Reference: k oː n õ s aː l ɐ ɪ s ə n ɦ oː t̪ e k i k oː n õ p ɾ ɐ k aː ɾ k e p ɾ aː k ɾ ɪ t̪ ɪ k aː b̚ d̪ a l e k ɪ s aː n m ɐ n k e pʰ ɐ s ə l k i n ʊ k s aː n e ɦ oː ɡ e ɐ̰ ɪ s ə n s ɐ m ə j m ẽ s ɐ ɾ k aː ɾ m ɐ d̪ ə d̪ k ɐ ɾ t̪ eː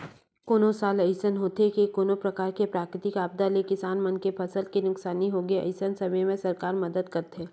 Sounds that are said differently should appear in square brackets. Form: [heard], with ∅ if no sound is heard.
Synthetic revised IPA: k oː n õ s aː l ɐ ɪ s ə n ɦ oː t̪ e k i k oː n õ p ɾ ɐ k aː ɾ k e p ɾ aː k ɾ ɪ t̪ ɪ k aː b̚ d̪ a l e k ɪ s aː n m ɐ n k e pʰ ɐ s ə l k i n ʊ k s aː n [i] ɦ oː ɡ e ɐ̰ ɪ s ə n s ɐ m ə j m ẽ s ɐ ɾ k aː ɾ m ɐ d̪ ə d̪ k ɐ ɾ t̪ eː